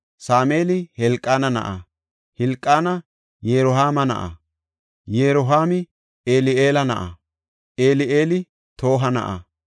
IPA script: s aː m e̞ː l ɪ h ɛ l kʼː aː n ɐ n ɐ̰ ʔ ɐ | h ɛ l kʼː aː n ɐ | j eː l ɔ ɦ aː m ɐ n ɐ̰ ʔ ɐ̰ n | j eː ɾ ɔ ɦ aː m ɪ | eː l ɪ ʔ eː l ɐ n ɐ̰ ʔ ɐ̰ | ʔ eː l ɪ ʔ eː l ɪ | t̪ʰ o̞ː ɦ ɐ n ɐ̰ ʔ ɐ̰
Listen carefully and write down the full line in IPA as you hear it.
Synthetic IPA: s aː m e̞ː l ɪ h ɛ l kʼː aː n ɐ n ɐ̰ ʔ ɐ | h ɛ l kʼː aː n ɐ | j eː ɾ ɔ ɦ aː m ɐ n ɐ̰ ʔ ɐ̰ | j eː ɾ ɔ ɦ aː m ɪ | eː l ɪ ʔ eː l ɐ n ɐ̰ ʔ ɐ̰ | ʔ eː l ɪ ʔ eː l ɪ | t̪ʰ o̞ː ɦ ɐ n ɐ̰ ʔ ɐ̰